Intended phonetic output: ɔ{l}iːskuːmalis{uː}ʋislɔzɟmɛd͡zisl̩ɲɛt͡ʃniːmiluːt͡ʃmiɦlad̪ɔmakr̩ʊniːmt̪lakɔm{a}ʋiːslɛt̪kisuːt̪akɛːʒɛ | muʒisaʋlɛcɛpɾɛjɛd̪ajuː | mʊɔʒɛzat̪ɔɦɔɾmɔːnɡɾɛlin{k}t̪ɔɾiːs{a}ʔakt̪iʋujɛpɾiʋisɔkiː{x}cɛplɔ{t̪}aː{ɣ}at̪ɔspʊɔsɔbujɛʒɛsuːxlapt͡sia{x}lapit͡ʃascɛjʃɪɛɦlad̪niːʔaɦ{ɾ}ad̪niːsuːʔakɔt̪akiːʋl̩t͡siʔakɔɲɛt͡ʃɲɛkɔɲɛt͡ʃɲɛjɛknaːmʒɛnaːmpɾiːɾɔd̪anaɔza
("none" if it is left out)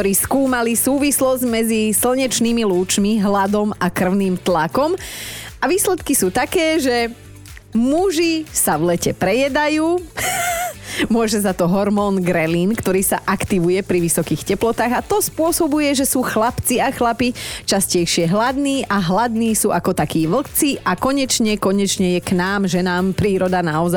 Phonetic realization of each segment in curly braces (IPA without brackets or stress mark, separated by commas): ɾ, uː, a, k, a, x, t̪, ɣ, x, l